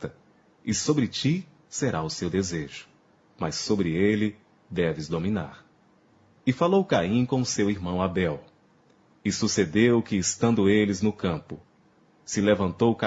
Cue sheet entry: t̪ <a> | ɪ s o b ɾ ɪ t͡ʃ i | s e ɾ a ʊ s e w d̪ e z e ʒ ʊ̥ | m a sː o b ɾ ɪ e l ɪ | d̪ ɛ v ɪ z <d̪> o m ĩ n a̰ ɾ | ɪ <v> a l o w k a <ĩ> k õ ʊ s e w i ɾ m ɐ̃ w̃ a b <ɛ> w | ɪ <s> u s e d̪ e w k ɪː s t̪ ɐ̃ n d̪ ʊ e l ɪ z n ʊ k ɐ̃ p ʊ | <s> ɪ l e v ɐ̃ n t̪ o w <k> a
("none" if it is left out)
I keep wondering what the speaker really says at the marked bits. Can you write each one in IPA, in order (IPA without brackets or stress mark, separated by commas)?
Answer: ɐ, d̪, f, ĩ, ɛ, s, s, k